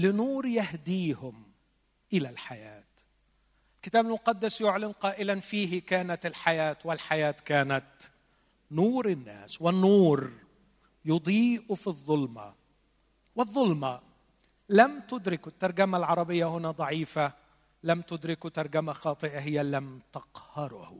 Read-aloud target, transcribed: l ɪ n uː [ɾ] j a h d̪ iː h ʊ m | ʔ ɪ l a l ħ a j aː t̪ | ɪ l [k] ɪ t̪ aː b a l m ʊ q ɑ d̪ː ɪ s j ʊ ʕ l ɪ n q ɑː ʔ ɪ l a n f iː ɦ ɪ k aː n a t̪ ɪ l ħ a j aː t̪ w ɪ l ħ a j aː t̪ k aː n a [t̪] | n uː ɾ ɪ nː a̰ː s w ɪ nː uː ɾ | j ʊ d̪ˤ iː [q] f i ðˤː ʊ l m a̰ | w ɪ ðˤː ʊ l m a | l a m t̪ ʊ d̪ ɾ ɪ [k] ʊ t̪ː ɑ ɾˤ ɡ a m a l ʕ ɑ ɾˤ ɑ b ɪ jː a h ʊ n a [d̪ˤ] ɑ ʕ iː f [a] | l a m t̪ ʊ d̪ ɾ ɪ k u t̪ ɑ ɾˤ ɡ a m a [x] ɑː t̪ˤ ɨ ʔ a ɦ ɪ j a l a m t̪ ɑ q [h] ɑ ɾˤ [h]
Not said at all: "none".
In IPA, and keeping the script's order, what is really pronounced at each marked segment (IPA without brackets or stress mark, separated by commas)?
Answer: ɾ, k, t̪, ʔ, k, d̪ˤ, a, x, h, h